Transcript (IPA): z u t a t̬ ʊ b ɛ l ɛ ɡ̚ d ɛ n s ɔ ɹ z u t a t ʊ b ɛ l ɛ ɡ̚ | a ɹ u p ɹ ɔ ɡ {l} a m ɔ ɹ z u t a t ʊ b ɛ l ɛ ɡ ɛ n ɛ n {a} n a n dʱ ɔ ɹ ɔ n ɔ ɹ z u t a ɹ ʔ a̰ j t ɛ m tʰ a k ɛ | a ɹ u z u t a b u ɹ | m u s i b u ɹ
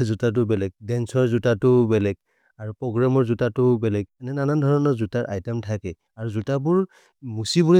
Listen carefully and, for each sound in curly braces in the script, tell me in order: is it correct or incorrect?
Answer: incorrect: ɹ, correct

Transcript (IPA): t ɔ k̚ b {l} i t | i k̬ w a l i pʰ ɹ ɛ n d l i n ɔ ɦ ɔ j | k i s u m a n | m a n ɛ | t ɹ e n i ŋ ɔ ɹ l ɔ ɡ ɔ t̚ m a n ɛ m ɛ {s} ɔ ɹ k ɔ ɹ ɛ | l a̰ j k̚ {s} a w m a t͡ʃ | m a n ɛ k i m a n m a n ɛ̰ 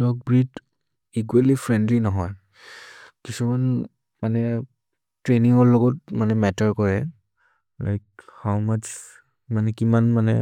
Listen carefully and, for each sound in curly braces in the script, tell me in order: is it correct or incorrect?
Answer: incorrect: ɹ, incorrect: t, incorrect: h

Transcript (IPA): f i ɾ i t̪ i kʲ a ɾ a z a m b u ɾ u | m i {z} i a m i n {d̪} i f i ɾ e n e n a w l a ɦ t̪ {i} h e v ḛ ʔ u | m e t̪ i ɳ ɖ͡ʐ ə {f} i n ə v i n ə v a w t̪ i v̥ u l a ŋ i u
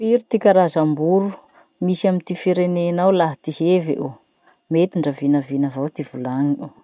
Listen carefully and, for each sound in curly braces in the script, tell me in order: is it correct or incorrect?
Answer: incorrect: s, incorrect: t̪, correct, incorrect: v

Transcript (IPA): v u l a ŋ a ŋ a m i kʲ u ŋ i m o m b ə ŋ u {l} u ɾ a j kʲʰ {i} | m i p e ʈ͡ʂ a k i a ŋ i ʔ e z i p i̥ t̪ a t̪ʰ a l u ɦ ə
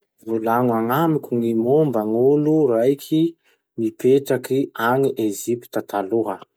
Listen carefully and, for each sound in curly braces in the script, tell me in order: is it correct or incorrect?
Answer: correct, correct

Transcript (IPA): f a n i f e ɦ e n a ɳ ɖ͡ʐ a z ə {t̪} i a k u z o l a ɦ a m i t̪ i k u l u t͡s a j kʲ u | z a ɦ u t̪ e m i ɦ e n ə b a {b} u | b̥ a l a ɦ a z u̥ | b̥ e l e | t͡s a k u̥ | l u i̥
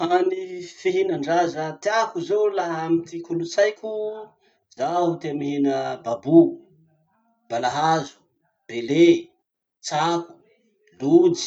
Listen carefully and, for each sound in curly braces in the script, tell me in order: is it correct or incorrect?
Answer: correct, correct

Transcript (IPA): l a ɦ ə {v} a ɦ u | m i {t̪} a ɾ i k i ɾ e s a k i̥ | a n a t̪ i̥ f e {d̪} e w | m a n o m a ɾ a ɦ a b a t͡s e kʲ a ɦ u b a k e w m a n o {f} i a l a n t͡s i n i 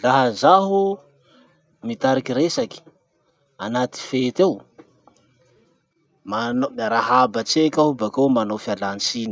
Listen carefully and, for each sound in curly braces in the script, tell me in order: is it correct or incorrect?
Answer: incorrect: z, correct, incorrect: t̪, correct

